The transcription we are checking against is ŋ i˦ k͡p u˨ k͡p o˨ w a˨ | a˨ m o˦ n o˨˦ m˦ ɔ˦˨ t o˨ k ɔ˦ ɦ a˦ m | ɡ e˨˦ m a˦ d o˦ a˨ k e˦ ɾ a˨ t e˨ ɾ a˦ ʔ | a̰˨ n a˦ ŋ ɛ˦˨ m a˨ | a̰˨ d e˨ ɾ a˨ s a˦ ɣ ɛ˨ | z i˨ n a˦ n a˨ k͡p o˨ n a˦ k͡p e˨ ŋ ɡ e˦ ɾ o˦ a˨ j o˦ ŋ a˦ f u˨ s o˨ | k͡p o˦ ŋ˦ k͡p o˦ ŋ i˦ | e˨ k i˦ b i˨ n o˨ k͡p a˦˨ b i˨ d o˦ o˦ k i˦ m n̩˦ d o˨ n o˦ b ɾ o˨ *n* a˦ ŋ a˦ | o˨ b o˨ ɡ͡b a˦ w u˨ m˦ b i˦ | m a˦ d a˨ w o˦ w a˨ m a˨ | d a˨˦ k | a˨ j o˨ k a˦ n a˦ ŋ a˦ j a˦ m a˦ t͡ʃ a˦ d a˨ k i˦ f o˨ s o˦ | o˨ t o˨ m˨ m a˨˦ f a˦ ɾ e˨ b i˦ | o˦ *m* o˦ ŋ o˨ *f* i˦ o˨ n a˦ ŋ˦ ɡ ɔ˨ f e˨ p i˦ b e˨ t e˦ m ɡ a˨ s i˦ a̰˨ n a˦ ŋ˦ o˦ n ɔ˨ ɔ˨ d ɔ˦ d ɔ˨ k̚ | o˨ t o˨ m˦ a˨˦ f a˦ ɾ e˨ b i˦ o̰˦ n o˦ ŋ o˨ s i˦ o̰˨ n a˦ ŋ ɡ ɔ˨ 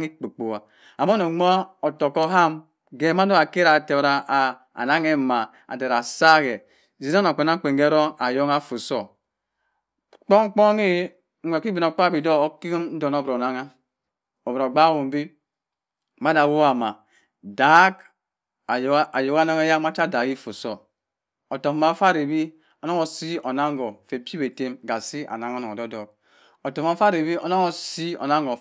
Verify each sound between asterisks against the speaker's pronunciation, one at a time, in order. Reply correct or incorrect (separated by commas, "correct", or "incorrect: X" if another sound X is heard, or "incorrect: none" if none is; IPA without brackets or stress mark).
correct, incorrect: n, incorrect: s